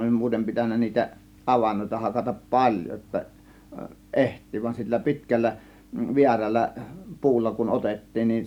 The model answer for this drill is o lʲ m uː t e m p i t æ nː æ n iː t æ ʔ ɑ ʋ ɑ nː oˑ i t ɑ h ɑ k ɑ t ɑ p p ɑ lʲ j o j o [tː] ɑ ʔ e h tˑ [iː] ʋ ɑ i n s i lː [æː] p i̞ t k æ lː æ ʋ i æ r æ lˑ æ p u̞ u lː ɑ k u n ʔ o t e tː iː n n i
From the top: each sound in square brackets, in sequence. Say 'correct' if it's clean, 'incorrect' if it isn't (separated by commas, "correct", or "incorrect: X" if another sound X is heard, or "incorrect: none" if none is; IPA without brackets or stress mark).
correct, correct, incorrect: æ